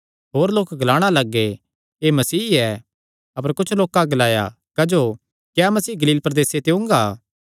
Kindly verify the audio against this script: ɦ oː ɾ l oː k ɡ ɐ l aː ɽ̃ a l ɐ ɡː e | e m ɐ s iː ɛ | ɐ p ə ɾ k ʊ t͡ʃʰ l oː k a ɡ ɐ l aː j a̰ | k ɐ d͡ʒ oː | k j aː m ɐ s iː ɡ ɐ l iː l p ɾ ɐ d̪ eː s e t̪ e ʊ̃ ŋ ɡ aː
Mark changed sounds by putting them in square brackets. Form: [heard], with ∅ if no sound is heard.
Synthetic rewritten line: ɦ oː ɾ l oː k ɡ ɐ l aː ɽ̃ a l ɐ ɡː e | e m ɐ s iː ɛ | ɐ p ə ɾ k ʊ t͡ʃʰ l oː k a ɡ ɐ l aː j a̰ | k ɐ d͡ʒ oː | k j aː m ɐ s iː ɡ ɐ l iː l p ɾ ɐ d̪ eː s e t̪ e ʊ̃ ŋ ɡ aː

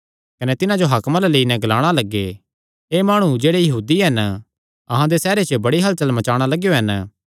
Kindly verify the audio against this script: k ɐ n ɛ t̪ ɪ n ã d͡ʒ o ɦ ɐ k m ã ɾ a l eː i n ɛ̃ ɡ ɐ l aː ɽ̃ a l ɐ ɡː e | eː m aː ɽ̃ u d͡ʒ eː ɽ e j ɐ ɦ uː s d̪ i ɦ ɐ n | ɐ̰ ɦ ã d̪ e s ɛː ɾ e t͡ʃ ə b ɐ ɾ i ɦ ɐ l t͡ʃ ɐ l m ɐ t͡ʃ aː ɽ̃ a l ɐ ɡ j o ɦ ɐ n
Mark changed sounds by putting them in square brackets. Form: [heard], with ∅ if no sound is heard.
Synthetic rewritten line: k ɐ n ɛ t̪ ɪ n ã d͡ʒ o ɦ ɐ k m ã [l] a l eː i n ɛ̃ ɡ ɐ l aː ɽ̃ a l ɐ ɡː e | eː m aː ɽ̃ u d͡ʒ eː ɽ e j ɐ ɦ uː [∅] d̪ i ɦ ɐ n | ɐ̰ ɦ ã d̪ e s ɛː ɾ e t͡ʃ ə b ɐ [ɽ] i ɦ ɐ l t͡ʃ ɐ l m ɐ t͡ʃ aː ɽ̃ a l ɐ ɡ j o ɦ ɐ n

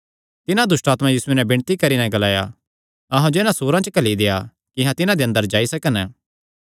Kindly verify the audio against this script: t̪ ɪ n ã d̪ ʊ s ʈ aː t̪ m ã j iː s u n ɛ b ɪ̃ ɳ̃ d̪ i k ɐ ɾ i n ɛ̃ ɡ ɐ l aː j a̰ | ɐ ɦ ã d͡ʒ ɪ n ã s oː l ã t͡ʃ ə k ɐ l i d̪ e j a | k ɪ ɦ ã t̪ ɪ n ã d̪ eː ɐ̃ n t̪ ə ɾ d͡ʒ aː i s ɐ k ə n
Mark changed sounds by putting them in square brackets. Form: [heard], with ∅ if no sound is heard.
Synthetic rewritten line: t̪ ɪ n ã d̪ ʊ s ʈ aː t̪ m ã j iː s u n ɛ b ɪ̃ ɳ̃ [t̪] i k ɐ ɾ i n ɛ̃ ɡ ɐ l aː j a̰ | ɐ ɦ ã d͡ʒ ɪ n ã s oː [ɾ] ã t͡ʃ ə k ɐ l i d̪ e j a | k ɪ ɦ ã t̪ ɪ n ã d̪ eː ɐ̃ n [d̪] ə ɾ d͡ʒ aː i s ɐ k ə n

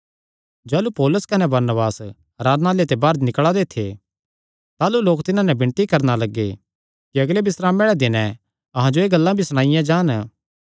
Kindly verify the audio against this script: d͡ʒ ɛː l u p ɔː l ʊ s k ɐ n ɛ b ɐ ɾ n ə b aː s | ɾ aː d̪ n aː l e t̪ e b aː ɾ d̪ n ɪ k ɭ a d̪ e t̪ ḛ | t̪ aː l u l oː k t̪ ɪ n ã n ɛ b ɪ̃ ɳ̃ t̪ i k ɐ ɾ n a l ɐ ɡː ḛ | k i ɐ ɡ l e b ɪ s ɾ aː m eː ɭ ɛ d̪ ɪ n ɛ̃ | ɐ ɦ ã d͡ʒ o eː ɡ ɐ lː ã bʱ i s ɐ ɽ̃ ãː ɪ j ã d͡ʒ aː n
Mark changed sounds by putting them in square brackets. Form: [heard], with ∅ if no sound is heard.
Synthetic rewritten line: d͡ʒ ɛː l u p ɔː l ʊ s k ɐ n ɛ b ɐ ɾ n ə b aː s | ɾ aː d̪ n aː l e t̪ e b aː ɾ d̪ n ɪ k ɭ a d̪ e [t̪ʰ] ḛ | t̪ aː l u l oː k t̪ ɪ n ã n ɛ b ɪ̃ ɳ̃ t̪ i k ɐ ɾ n a l ɐ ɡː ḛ | k i ɐ ɡ l e b ɪ s ɾ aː m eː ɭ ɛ d̪ ɪ n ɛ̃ | ɐ ɦ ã d͡ʒ o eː ɡ ɐ lː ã bʱ i s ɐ ɽ̃ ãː ɪ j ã d͡ʒ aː n

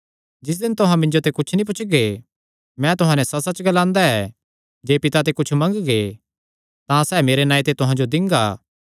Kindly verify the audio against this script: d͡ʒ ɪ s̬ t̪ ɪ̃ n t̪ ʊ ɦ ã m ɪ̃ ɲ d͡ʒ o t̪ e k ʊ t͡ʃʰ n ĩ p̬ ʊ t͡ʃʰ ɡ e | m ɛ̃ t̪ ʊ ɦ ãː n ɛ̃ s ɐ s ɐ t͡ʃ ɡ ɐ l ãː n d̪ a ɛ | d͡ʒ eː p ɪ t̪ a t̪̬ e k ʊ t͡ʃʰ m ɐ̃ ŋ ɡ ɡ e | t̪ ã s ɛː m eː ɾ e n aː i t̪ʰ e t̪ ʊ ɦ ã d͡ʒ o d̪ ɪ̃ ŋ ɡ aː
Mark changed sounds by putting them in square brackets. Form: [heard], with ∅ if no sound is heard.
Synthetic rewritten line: d͡ʒ ɪ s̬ [d̪] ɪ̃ n t̪ ʊ ɦ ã m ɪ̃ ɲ d͡ʒ o t̪ e k ʊ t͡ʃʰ n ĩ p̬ ʊ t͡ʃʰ ɡ e | m ɛ̃ t̪ ʊ ɦ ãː n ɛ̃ s ɐ s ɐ t͡ʃ ɡ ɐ l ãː n d̪ a ɛ | d͡ʒ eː p ɪ t̪ a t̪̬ e k ʊ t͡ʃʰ m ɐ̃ ŋ ɡ ɡ e | t̪ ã s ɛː m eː ɾ e n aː i [t̪] e t̪ ʊ ɦ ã d͡ʒ o d̪ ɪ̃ ŋ ɡ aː

